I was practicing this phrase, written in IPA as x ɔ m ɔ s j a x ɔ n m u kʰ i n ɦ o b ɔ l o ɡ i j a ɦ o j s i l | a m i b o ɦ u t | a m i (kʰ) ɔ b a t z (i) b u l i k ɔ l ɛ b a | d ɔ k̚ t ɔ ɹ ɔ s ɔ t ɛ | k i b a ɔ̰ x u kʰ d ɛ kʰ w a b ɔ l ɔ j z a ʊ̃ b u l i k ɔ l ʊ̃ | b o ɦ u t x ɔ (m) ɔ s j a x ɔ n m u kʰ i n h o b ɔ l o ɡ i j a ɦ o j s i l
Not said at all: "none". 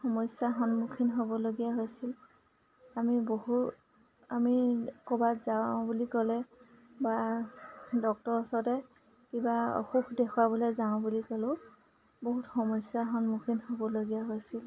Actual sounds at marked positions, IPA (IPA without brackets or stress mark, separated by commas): k, a, m